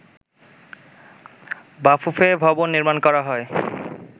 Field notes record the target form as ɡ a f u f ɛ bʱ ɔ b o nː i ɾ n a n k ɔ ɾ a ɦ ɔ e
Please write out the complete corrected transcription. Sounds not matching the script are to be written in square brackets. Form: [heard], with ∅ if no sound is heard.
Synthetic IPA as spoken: [b] a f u f [e] bʱ ɔ b o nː i ɾ [m] a n k ɔ ɾ a ɦ ɔ e

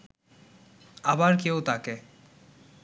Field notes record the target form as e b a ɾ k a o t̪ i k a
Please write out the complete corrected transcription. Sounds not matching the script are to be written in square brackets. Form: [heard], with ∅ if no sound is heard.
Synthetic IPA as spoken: [a] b a ɾ k [e] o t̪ [a] k [e]

